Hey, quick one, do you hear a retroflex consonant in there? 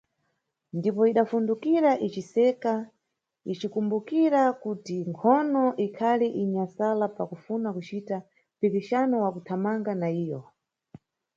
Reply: no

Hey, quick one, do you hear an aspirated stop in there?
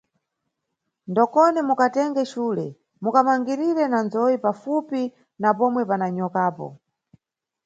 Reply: no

